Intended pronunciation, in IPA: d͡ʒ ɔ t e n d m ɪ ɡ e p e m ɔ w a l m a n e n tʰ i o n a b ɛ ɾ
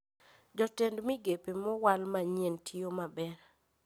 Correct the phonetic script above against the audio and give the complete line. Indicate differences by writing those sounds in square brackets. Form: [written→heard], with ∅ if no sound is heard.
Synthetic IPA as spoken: d͡ʒ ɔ t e n d m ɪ ɡ e p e m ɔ w a l m a [n→ɲ] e n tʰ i o [n→m] a b ɛ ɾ

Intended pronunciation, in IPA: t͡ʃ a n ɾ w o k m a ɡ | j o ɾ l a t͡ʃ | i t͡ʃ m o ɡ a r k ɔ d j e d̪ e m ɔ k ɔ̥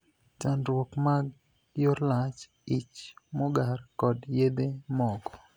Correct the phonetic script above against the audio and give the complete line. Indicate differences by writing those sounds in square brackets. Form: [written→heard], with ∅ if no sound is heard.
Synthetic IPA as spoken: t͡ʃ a n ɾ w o k m a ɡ | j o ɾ l a t͡ʃ | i t͡ʃ m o ɡ a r k ɔ d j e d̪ e m ɔ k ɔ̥

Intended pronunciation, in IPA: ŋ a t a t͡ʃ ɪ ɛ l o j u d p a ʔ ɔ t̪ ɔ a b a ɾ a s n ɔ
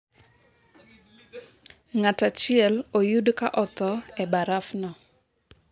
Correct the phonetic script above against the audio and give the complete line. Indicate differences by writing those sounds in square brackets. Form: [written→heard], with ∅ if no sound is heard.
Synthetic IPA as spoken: ŋ a t a t͡ʃ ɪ ɛ l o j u d [p→k] a ʔ ɔ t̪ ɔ [a→ɛ] b a ɾ a [s→f] n ɔ

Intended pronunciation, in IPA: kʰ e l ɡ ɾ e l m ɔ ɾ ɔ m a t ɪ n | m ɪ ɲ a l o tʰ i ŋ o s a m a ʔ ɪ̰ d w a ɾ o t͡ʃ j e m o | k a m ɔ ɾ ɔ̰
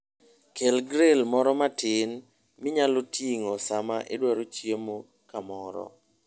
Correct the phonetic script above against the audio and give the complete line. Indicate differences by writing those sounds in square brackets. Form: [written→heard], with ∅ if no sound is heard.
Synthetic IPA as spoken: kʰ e l ɡ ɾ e l m ɔ ɾ ɔ m a t ɪ n | m ɪ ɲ a l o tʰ i ŋ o s a m a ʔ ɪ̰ d w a ɾ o t͡ʃ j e m o | k a m ɔ ɾ ɔ̰

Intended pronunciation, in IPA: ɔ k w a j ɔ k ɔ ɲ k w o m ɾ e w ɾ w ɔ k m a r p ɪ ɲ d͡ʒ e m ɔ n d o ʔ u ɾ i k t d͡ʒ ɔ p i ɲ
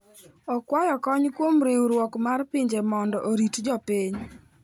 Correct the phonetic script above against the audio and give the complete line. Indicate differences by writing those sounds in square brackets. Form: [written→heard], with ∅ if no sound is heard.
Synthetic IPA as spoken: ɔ k w a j ɔ k ɔ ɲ k w o m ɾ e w ɾ w ɔ k m a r p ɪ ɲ d͡ʒ e m ɔ n d [o→ɔ] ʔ [u→o] ɾ i [k→∅] t d͡ʒ ɔ p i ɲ

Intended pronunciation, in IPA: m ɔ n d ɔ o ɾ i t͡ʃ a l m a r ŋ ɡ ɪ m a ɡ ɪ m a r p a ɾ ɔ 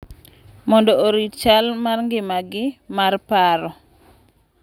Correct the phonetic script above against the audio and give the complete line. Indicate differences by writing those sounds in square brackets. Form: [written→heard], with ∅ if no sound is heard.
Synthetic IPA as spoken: m ɔ n d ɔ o ɾ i t͡ʃ a l m a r ŋ ɡ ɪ m a ɡ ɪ m a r p a ɾ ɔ

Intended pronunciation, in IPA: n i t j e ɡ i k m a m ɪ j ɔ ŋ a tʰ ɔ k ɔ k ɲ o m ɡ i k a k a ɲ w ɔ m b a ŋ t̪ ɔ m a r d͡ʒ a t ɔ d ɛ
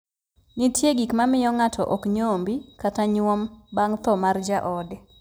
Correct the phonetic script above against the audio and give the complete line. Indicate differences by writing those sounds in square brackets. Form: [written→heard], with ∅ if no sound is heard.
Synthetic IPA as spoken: n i t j e ɡ i k m a m ɪ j ɔ ŋ a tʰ ɔ [k→ʔ] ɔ k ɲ o m [ɡ→b] i k a [k→t] a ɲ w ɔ m b a ŋ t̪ ɔ m a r d͡ʒ a [t→ʔ] ɔ d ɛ

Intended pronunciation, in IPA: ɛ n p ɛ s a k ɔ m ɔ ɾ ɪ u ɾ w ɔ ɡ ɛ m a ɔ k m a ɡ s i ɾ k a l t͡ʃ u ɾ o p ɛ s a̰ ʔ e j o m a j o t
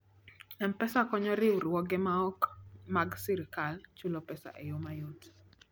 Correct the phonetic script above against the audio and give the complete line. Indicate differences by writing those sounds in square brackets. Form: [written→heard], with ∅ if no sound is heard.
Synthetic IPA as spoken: ɛ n p ɛ s a k ɔ [m→ɲ] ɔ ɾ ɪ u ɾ w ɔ ɡ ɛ m a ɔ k m a ɡ s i ɾ k a l t͡ʃ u [ɾ→l] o p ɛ s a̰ ʔ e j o m a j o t

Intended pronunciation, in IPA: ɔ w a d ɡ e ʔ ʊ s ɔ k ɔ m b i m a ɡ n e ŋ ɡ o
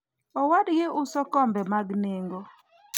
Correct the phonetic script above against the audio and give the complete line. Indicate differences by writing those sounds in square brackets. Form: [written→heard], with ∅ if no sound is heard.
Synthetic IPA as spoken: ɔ w a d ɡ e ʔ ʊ s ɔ k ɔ m b [i→ɛ] m a ɡ n e ŋ ɡ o

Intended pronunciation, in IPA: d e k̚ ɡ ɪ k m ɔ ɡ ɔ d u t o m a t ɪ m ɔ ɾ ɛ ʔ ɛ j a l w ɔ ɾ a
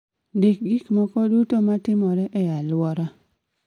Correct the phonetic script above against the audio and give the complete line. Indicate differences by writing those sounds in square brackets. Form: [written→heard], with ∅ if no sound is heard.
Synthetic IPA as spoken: d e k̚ ɡ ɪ k m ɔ [ɡ→k] ɔ d u t o m a t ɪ m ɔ ɾ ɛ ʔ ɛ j a l w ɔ ɾ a

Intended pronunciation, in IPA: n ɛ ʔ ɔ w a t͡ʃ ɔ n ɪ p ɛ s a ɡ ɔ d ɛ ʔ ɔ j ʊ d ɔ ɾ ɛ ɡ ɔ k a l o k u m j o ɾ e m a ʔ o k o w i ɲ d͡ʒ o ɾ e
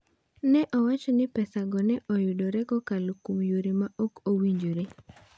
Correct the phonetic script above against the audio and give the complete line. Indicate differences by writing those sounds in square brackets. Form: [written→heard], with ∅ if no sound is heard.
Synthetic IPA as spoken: n ɛ ʔ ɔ w a t͡ʃ ɔ n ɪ p ɛ s a ɡ ɔ [d→n] ɛ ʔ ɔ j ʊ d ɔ ɾ ɛ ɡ ɔ k a l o k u m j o ɾ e m a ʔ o k o w i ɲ d͡ʒ o ɾ e

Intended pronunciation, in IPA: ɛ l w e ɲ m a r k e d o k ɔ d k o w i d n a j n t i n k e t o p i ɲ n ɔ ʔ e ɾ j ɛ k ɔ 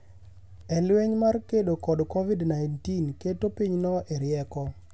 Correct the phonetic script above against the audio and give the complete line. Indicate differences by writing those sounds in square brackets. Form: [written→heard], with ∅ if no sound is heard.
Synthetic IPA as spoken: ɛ l w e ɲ m a r k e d o k ɔ d k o [w→v] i d n a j n t i n k e t o p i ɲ n ɔ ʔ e ɾ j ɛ k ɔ

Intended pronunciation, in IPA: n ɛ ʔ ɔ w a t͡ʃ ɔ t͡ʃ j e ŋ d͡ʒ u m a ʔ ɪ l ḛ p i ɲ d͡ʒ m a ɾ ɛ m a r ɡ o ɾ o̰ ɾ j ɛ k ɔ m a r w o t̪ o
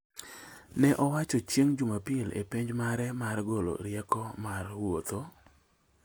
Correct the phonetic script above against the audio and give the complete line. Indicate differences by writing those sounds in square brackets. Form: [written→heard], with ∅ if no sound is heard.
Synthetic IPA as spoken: n ɛ ʔ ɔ w a t͡ʃ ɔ t͡ʃ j e ŋ d͡ʒ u m a [ʔ→p] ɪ l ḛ p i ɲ d͡ʒ m a ɾ ɛ m a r ɡ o [ɾ→l] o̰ ɾ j ɛ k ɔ m a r w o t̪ o

